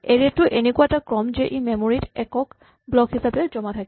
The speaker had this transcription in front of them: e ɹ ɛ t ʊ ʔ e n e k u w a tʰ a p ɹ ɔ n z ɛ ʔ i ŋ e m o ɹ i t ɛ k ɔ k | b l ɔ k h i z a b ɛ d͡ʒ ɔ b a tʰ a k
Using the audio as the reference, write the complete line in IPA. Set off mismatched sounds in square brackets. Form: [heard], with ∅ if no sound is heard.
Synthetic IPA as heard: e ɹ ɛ t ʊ ʔ e n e k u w a [t] a [k] ɹ ɔ [m] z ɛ ʔ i [m] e m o ɹ i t ɛ k ɔ k | b l ɔ k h i [s] a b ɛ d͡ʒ ɔ [m] a tʰ a k